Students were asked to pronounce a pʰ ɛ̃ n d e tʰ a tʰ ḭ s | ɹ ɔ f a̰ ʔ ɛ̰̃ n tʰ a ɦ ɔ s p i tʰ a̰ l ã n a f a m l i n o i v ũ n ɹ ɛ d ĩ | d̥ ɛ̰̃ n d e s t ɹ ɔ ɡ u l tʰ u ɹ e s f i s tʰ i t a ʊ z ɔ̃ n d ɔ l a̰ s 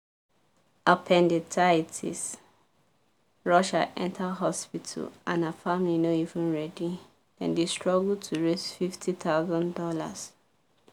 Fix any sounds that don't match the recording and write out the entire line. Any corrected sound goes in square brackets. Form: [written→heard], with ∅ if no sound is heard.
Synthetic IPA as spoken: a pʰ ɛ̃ n d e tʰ a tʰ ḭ s | ɹ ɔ [f→ʃ] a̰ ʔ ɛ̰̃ n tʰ a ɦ ɔ s p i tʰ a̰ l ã n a f a m l i n o i v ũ n ɹ ɛ d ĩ | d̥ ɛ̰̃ n d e s t ɹ ɔ ɡ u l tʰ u ɹ e s f i [s→f] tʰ i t a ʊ z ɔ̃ n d ɔ l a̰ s